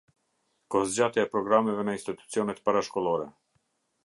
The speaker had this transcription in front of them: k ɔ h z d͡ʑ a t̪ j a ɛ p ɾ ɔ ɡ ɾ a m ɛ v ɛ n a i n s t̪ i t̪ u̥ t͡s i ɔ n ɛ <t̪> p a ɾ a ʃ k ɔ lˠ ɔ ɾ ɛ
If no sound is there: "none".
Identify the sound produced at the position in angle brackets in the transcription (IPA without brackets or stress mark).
t̪